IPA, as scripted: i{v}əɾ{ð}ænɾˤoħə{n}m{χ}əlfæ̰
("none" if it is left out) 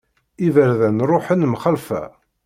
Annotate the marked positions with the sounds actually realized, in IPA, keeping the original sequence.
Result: v, ð, n, χ

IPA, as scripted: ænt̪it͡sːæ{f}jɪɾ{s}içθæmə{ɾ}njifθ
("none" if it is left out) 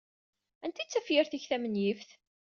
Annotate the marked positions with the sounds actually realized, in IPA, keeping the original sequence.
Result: f, θ, none

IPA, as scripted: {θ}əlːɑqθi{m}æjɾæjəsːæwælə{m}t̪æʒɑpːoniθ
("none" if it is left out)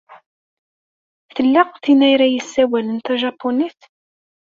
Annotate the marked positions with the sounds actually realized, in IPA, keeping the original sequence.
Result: θ, n, n

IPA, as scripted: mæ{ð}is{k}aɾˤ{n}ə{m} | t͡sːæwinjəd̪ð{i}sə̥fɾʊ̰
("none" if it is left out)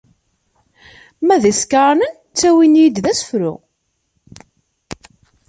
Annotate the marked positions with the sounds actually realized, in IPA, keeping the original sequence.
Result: ð, k, n, n, æ

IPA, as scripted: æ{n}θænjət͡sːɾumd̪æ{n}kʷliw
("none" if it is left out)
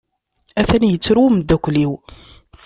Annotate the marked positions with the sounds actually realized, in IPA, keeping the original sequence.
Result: none, none

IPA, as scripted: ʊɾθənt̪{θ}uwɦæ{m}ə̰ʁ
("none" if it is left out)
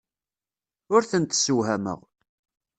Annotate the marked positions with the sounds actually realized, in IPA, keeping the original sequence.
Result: s, m

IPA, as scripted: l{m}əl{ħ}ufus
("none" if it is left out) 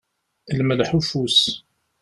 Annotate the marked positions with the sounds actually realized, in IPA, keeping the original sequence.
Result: m, ħ

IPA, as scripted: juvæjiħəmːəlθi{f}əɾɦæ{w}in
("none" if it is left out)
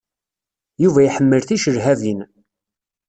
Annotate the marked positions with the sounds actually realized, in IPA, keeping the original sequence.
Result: ʃ, v

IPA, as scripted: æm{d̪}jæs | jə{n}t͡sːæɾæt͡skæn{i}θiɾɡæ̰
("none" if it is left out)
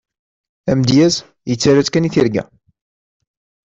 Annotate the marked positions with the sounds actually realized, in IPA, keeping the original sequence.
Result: d̪, none, i

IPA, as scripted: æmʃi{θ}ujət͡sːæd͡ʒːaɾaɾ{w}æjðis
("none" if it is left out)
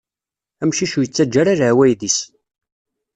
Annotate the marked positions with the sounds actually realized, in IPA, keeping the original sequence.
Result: ʃ, w

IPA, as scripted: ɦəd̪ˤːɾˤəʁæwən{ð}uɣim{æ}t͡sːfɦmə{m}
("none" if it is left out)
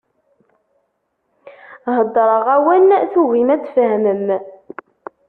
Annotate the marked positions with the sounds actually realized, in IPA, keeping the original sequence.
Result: θ, æ, m

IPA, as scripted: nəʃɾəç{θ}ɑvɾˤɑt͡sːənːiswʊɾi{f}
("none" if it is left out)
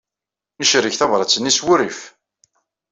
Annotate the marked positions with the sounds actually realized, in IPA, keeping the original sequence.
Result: θ, f

